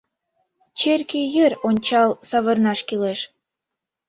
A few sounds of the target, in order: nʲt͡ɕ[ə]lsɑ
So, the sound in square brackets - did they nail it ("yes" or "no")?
no